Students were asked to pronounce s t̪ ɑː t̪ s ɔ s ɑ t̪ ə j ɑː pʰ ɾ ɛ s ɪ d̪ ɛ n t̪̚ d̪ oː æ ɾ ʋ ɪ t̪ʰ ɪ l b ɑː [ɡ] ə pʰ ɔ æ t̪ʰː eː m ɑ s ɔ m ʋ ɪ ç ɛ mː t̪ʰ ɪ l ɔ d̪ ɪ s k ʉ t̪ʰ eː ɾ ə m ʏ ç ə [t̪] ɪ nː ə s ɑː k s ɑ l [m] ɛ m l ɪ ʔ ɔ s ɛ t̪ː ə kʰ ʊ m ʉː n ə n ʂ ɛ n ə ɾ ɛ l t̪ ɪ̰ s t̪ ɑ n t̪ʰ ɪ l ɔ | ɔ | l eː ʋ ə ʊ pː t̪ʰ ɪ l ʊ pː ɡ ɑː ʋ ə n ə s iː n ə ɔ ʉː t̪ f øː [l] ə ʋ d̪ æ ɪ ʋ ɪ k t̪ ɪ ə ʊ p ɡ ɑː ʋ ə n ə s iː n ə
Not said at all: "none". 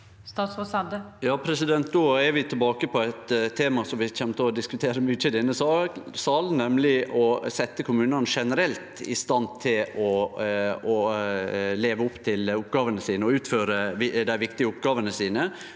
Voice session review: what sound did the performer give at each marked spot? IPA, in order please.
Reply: k, d̪, n, ɾ

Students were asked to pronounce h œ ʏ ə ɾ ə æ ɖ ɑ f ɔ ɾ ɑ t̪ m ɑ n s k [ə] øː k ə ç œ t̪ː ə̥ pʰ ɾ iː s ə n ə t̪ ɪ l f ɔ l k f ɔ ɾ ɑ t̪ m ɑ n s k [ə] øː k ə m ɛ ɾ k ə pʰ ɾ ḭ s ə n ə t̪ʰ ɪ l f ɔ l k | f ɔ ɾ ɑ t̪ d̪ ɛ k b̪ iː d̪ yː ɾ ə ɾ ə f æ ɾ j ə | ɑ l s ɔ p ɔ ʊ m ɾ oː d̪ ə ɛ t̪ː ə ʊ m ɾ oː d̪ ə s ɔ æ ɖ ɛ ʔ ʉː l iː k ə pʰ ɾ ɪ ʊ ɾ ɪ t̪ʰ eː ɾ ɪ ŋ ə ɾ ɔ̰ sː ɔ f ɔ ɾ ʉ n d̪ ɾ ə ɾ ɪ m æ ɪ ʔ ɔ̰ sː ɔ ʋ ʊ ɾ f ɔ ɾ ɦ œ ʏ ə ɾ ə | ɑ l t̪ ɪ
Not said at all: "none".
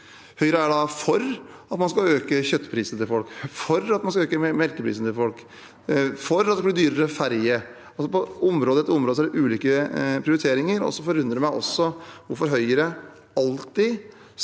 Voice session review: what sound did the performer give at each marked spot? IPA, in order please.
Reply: ɑ, ɑ

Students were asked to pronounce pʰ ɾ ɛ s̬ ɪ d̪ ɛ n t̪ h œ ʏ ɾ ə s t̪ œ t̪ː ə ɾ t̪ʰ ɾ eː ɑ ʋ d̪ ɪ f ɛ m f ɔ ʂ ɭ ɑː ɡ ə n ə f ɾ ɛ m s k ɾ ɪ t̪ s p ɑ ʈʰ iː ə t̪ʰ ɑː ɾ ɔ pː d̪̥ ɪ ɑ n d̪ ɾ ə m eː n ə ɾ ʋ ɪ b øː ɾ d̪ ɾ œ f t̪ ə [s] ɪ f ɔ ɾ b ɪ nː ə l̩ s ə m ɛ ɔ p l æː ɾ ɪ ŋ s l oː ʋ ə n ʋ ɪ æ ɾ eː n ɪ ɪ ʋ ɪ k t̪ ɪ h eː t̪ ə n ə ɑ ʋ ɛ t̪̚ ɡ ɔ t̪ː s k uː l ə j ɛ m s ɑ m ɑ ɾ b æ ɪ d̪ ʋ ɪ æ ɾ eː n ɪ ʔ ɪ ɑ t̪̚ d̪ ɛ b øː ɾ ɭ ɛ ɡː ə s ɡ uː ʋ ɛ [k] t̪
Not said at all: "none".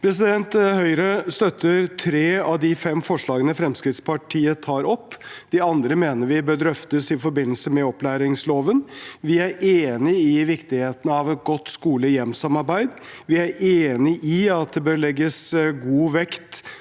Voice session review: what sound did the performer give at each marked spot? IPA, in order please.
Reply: s, k

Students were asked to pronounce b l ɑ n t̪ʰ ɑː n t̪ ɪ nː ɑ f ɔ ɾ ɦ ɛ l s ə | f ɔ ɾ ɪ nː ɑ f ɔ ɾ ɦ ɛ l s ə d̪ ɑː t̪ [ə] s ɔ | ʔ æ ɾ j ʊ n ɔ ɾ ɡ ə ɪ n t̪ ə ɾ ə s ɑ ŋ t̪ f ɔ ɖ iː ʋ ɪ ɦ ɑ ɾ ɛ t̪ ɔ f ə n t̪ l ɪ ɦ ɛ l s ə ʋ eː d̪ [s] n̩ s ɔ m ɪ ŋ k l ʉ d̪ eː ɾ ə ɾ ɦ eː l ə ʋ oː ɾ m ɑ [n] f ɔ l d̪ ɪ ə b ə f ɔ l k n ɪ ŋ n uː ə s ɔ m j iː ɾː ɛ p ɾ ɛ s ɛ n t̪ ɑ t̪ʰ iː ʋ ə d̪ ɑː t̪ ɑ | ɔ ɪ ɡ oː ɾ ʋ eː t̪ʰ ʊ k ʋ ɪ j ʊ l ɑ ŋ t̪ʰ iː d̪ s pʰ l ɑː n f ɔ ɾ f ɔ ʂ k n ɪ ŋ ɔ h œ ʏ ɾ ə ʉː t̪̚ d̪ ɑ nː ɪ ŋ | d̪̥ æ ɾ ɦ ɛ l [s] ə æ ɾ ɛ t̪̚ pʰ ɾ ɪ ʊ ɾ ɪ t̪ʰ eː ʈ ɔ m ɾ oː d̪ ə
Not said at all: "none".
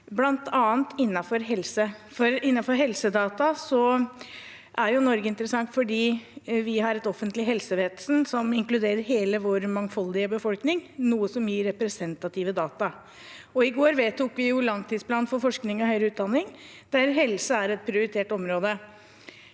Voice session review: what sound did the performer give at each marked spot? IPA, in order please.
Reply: ɑ, s, ŋ, s

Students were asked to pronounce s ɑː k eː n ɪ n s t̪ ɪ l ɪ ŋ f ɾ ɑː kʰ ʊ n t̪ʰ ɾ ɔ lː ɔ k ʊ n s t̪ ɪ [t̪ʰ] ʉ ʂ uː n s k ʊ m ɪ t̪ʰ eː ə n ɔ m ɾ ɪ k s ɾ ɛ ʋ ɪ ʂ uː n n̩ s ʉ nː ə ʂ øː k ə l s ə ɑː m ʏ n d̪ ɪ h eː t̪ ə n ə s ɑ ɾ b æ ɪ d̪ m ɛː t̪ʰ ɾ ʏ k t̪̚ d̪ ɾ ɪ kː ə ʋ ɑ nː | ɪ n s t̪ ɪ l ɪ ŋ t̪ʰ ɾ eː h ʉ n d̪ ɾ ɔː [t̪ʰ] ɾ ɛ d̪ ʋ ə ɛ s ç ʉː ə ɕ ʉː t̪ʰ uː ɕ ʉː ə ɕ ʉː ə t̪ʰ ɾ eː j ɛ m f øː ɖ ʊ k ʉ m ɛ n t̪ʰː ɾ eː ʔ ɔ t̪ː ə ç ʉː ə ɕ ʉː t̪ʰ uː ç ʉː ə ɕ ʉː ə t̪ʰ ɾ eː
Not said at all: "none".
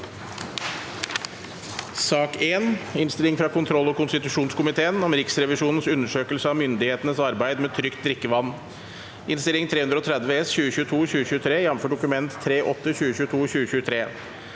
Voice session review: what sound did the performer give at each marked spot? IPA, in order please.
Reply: t̪, t̪ʰ

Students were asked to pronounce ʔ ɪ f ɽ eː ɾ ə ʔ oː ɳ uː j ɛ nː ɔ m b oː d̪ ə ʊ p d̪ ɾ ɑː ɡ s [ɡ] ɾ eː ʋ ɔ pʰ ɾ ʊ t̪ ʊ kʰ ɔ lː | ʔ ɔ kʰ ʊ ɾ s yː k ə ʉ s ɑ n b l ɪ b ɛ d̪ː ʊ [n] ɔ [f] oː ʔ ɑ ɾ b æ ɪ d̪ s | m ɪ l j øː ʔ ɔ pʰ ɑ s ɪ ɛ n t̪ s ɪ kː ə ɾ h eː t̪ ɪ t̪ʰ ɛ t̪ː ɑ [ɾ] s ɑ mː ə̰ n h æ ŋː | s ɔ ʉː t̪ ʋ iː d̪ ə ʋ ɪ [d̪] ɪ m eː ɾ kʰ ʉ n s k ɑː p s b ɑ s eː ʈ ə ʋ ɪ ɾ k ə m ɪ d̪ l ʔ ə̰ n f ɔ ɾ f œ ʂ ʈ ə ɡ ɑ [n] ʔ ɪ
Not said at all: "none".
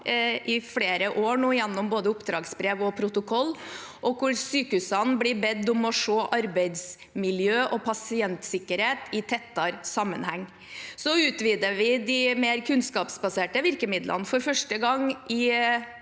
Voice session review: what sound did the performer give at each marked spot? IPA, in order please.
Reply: b, m, ʂ, ɾ, d̪, ŋ

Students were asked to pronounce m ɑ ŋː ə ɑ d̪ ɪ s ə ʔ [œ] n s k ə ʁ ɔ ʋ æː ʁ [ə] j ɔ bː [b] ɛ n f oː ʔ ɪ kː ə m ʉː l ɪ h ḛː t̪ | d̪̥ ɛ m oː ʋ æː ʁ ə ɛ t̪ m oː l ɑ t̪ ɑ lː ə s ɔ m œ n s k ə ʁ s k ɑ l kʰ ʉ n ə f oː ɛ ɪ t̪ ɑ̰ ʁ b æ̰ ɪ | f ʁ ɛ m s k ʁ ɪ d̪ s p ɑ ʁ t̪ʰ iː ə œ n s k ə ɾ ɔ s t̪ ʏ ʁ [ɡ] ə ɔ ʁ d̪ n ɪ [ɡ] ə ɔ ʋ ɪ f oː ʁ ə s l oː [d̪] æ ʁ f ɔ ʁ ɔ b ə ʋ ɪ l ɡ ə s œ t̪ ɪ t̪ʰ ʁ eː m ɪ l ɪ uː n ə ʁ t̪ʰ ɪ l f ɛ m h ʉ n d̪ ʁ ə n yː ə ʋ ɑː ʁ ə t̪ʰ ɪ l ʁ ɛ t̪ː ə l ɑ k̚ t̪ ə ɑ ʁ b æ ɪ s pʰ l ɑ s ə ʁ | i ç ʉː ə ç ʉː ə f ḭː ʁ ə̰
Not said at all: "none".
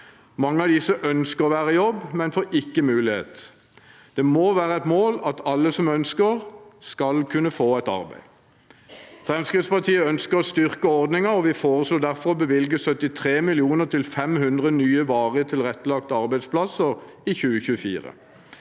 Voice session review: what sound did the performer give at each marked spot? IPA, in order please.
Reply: œ, ə, m, k, ŋ, d̪

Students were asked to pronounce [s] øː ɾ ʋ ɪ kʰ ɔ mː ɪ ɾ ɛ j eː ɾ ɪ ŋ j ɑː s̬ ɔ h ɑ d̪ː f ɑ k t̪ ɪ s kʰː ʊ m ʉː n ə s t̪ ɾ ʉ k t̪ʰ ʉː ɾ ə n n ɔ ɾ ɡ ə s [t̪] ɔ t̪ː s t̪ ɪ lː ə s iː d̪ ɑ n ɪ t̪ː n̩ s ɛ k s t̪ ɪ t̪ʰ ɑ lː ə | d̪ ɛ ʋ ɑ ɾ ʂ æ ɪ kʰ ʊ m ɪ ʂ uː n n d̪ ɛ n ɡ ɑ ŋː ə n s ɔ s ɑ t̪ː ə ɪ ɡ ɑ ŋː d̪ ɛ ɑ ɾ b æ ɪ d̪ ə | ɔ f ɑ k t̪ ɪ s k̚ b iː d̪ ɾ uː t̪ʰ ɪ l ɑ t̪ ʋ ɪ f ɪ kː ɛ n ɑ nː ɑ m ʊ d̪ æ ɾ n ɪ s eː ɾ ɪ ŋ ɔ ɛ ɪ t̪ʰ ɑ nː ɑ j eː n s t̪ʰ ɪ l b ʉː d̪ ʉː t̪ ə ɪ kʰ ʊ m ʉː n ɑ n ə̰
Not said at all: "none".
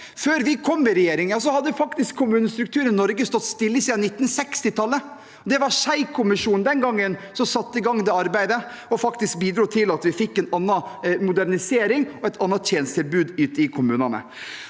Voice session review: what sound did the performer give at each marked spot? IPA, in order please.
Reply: f, t̪

